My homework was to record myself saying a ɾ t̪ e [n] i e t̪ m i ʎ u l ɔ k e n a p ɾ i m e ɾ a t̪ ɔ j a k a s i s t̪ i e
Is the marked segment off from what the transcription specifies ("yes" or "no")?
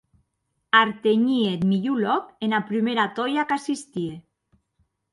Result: yes